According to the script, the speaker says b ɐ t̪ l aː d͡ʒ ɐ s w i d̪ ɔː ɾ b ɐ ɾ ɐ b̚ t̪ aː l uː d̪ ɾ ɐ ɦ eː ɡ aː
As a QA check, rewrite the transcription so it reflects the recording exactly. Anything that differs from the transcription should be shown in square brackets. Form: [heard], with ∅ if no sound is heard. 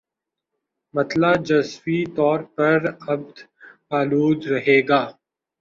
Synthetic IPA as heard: [m] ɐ t̪ l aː d͡ʒ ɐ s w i [t̪] ɔː ɾ [p] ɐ ɾ ɐ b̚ [d̪] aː l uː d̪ ɾ ɐ ɦ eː ɡ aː